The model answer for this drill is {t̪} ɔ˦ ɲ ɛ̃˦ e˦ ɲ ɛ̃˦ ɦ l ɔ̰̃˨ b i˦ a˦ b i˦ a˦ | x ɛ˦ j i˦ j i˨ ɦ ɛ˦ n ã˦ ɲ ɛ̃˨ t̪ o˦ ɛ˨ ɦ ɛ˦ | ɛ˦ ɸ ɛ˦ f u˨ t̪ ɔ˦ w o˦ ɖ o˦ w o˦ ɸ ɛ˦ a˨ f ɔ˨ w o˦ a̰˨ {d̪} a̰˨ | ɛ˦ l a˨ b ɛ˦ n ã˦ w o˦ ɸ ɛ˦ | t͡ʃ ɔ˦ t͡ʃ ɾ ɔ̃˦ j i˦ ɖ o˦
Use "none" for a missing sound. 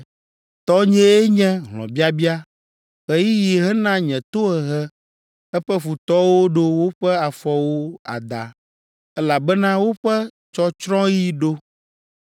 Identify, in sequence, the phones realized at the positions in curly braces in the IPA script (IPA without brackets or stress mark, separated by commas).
t̪, d̪